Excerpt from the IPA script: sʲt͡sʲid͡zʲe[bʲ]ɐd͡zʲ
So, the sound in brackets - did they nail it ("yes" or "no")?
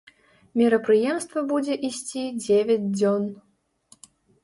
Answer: no